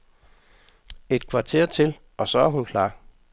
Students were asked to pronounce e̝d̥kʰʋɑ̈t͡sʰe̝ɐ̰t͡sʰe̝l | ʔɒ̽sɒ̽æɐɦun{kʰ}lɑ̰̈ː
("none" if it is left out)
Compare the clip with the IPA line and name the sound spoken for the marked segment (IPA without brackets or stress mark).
kʰ